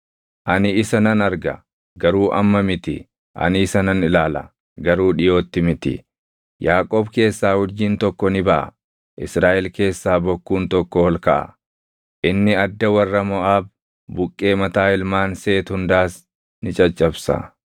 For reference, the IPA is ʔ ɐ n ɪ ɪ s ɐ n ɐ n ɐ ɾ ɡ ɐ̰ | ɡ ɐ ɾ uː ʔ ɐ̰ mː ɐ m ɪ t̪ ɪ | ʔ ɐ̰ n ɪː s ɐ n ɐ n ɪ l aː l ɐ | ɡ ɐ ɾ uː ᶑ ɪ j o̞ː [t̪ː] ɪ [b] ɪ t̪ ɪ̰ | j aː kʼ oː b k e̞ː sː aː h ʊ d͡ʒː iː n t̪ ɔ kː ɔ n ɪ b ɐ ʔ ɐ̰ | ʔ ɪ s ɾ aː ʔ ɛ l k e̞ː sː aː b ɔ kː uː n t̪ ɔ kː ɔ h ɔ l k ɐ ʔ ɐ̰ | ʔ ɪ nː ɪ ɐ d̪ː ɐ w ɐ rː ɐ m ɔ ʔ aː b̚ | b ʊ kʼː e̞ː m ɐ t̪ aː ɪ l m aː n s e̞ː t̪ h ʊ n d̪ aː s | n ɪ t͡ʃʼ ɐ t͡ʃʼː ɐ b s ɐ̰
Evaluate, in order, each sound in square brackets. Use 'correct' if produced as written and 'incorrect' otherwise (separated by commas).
correct, incorrect